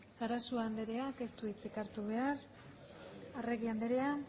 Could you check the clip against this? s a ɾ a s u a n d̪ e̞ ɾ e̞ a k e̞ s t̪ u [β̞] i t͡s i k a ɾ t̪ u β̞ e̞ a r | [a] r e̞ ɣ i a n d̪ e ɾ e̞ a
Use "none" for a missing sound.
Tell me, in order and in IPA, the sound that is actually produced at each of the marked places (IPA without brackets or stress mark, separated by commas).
none, a